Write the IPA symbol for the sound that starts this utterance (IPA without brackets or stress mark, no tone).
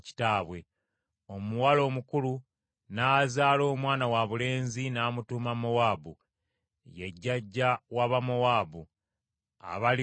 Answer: c